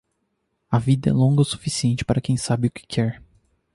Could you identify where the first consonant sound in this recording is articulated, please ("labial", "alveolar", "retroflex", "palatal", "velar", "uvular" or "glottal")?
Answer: labial